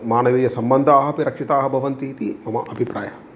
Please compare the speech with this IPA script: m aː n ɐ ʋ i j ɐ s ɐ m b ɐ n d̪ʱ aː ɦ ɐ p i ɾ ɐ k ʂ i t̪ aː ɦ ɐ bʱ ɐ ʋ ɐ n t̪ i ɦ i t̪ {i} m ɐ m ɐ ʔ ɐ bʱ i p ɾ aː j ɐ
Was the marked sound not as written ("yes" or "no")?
no